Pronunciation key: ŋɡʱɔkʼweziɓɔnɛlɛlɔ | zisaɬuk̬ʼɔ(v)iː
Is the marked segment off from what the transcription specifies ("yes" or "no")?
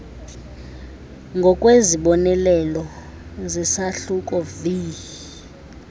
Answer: no